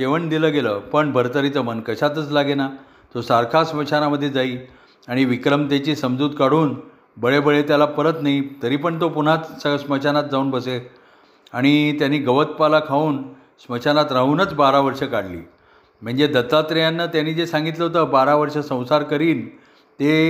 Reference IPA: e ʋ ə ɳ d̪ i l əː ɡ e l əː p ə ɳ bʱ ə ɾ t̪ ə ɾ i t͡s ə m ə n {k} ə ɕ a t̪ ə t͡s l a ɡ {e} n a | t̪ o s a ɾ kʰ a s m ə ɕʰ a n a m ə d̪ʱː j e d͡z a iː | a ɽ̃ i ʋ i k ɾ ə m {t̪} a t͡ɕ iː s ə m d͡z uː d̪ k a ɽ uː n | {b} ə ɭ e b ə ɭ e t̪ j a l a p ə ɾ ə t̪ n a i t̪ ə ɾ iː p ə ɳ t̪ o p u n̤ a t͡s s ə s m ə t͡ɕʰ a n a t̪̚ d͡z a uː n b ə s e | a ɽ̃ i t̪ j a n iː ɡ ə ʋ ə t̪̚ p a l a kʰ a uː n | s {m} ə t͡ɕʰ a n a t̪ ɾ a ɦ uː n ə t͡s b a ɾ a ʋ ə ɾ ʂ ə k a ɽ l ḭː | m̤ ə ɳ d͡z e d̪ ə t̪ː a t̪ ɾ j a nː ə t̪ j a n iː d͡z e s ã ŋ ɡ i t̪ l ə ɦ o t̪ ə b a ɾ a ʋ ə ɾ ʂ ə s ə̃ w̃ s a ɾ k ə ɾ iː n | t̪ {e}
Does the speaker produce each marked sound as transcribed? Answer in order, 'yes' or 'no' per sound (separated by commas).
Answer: yes, yes, yes, yes, yes, yes